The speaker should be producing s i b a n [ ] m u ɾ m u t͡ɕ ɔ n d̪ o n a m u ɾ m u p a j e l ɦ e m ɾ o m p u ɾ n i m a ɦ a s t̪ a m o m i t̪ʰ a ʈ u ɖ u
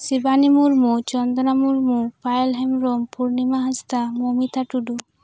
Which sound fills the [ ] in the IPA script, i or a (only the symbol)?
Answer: i